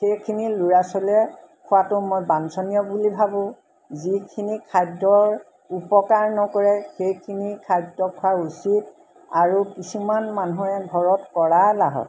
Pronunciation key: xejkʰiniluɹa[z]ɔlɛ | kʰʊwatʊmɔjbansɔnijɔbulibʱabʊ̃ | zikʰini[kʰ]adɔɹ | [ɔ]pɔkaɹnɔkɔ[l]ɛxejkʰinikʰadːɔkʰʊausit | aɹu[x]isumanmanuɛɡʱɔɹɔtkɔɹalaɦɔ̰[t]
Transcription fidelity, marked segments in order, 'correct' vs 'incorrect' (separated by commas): incorrect, correct, incorrect, incorrect, incorrect, correct